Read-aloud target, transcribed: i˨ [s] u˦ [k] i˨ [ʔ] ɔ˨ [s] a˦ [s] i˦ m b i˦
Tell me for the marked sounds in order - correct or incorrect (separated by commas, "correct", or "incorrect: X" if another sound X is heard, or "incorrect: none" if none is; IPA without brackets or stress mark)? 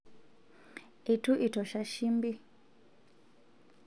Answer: incorrect: t, incorrect: ʔ, incorrect: t, incorrect: ʃ, incorrect: ʃ